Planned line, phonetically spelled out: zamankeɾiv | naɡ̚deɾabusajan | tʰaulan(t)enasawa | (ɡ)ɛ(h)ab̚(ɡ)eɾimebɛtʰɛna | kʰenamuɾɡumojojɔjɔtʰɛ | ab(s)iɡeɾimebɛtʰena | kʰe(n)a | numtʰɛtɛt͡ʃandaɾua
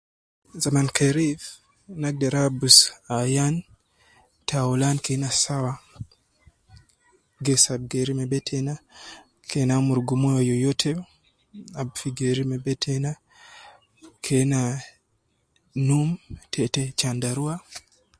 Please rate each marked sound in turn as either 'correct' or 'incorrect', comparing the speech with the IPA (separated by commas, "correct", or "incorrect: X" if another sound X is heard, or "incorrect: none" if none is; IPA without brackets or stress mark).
incorrect: k, correct, incorrect: s, correct, incorrect: f, correct